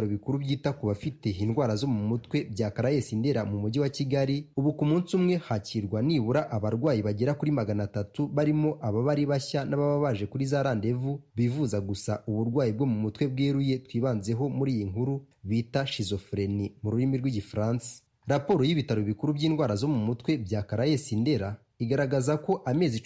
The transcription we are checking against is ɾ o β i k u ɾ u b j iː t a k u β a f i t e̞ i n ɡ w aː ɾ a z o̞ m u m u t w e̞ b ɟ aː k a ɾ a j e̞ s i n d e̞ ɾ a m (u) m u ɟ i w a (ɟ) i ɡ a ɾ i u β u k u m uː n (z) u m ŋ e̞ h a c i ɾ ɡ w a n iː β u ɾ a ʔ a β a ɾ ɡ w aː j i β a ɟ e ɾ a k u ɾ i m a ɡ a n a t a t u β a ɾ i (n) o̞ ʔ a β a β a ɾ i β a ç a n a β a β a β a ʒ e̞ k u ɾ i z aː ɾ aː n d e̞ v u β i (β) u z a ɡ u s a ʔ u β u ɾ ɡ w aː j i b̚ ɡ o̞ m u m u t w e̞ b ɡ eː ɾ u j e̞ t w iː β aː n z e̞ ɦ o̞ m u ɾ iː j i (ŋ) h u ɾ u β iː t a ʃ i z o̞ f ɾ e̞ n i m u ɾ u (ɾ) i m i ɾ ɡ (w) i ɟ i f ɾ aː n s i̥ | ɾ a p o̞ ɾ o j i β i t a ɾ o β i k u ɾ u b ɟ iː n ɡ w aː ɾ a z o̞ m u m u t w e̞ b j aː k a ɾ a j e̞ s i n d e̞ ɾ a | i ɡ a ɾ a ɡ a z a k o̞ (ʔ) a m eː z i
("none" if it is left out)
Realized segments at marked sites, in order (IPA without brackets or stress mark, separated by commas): u, c, s, m, v, ŋ, ɾ, w, ʔ